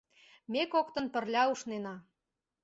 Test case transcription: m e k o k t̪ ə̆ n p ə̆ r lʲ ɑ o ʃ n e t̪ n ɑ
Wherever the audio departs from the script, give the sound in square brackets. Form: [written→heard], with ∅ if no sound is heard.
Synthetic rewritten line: m e k o k t̪ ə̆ n p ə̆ r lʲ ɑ [o→u] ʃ n e [t̪→∅] n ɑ